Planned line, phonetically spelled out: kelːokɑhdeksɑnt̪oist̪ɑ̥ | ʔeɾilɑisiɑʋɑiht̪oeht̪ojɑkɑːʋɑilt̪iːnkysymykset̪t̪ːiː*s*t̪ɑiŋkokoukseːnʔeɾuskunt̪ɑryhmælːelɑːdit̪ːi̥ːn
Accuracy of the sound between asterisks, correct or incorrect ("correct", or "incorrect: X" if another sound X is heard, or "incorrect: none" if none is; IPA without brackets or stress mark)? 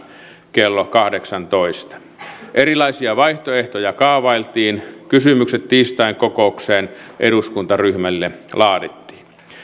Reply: correct